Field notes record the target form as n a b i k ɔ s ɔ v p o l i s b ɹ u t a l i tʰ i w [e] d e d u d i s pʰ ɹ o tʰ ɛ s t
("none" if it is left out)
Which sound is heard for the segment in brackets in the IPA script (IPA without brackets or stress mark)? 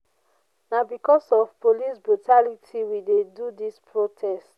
i